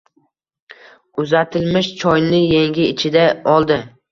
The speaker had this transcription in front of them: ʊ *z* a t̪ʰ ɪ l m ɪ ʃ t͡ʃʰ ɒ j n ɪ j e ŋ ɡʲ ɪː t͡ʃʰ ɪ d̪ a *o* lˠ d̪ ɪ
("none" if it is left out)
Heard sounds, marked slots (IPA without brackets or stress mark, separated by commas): z, ɒ